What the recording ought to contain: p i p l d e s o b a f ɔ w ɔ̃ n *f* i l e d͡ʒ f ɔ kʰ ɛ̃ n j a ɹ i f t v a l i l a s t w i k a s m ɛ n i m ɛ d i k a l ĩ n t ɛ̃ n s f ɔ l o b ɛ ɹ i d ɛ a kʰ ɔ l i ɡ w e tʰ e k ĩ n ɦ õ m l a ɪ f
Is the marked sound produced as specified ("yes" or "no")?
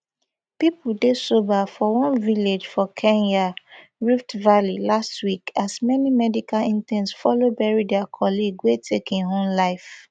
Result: no